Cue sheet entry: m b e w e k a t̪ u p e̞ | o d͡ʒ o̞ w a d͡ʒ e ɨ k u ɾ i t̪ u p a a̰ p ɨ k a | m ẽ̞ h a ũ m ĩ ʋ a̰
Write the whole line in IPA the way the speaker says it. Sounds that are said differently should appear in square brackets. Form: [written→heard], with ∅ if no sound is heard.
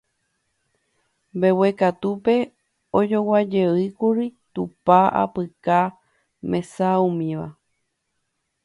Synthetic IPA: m b e w e k a t̪ u p e̞ | o d͡ʒ o̞ w a d͡ʒ e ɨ k u ɾ i t̪ u p a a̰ p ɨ k a | m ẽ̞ [h→s] a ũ m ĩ ʋ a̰